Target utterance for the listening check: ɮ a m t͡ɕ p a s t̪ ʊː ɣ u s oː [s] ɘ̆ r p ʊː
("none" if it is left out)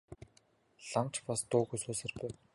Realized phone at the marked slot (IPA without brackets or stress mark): s